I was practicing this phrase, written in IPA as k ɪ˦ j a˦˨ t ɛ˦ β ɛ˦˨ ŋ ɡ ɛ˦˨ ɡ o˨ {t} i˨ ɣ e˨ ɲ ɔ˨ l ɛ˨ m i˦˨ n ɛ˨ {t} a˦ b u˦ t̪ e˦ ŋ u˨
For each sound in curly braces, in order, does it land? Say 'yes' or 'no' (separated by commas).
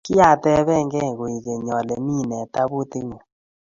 no, yes